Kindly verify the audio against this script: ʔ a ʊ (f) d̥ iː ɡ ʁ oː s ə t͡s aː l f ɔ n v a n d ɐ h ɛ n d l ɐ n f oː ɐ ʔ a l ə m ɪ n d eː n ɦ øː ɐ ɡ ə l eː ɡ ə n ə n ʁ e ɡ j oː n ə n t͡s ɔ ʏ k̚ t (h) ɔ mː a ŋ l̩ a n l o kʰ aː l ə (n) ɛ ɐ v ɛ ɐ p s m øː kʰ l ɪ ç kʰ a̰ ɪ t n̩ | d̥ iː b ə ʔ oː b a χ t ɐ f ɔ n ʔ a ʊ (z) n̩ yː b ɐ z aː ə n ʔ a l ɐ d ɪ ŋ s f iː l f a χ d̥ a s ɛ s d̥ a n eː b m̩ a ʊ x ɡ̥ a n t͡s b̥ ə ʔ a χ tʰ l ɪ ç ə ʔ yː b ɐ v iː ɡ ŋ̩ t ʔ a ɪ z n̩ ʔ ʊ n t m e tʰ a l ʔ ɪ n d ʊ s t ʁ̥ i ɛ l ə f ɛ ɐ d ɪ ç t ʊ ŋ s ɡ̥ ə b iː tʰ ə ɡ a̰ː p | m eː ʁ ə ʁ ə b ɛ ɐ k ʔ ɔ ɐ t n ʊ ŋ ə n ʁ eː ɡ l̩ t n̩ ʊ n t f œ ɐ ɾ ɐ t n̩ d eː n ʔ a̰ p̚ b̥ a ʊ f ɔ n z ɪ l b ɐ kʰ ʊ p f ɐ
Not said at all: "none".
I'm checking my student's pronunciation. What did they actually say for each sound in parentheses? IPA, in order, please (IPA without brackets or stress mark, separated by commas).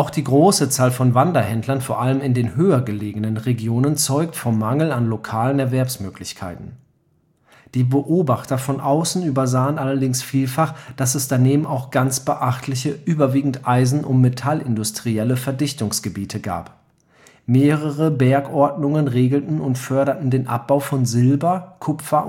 x, f, n, s